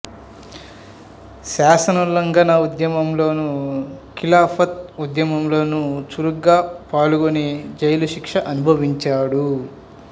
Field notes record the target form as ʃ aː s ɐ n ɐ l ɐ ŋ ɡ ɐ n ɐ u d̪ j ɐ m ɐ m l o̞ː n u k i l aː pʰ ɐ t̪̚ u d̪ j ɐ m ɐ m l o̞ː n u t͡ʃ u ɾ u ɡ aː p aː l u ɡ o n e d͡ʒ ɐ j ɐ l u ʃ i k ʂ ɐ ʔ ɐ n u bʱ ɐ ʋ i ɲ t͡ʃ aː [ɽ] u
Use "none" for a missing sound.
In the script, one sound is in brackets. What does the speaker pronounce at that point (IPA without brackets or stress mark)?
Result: ɽ